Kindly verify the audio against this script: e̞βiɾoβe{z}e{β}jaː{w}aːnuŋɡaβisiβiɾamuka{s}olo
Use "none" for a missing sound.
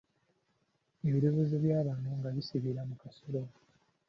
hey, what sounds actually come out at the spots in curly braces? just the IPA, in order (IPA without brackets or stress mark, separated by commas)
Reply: z, β, β, s